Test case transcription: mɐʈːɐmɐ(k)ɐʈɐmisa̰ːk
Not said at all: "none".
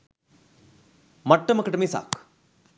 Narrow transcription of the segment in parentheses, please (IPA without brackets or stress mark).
k